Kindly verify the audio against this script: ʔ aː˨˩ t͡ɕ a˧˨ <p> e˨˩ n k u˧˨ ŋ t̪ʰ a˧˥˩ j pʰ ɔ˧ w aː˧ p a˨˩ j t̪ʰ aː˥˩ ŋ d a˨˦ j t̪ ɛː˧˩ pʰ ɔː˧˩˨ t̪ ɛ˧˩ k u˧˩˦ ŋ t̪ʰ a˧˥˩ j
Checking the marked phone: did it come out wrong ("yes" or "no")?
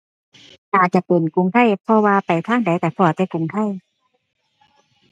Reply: no